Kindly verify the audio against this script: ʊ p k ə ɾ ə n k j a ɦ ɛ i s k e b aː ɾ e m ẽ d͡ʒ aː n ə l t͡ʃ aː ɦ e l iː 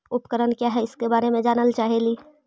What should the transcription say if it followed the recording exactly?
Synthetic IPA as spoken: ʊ p k ə ɾ ə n k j a ɦ ɛ ɪ s k e b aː ɾ e m ẽ d͡ʒ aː n ə l t͡ʃ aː ɦ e l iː